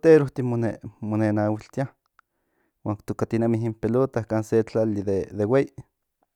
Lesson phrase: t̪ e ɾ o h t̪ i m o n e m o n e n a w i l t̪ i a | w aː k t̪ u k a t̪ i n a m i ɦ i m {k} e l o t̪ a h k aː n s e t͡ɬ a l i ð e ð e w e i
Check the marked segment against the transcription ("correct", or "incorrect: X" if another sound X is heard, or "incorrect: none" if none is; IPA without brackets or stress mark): incorrect: p